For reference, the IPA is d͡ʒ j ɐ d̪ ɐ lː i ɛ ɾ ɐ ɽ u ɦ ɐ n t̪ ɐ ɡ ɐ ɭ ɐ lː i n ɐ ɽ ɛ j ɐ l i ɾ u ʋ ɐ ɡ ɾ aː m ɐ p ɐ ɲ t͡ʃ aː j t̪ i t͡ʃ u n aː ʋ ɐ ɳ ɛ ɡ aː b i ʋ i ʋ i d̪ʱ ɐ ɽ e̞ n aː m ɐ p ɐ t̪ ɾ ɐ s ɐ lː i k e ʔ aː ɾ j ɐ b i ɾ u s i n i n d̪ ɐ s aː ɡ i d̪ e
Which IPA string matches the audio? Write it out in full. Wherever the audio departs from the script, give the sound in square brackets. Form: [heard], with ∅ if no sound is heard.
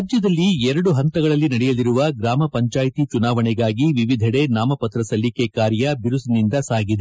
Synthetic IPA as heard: d͡ʒ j ɐ d̪ ɐ lː i ɛ ɾ ɐ ɽ u ɦ ɐ n t̪ ɐ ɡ ɐ ɭ ɐ lː i n ɐ ɽ ɛ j ɐ l i ɾ u ʋ ɐ ɡ ɾ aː m ɐ p ɐ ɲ t͡ʃ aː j t̪ i t͡ʃ u n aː ʋ ɐ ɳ ɛ ɡ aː [ɡ] i ʋ i ʋ i d̪ʱ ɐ ɽ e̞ n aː m ɐ p ɐ t̪ ɾ ɐ s ɐ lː i k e [k] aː ɾ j ɐ b i ɾ u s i n i n d̪ ɐ s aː ɡ i d̪ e